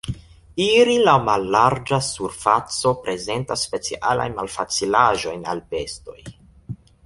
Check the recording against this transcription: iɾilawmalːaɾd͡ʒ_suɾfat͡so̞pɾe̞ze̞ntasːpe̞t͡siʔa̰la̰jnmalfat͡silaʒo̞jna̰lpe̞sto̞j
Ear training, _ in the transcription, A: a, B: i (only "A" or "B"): A